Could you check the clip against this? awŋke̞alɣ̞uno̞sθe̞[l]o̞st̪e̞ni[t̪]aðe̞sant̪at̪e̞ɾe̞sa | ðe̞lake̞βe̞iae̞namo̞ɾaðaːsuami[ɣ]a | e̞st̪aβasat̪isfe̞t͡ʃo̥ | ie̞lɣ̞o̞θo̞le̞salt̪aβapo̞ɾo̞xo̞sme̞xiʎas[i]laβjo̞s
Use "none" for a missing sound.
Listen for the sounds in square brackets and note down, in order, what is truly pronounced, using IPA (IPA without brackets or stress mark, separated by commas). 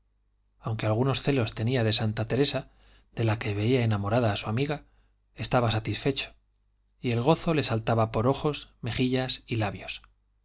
l, none, ɣ, i